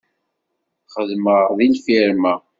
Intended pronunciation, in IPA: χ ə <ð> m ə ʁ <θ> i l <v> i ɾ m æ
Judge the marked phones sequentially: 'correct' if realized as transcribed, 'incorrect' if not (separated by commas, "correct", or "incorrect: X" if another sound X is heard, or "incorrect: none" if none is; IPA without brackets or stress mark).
correct, incorrect: ð, incorrect: f